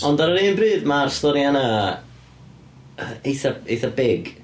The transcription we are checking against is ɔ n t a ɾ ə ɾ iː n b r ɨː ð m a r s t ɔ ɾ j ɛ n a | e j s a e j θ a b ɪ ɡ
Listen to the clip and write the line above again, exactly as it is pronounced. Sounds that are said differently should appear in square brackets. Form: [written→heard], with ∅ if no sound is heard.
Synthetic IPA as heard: ɔ n [t→d] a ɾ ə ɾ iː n b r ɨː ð m a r s t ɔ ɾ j [ɛ→a] n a | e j [s→θ] a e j θ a b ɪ ɡ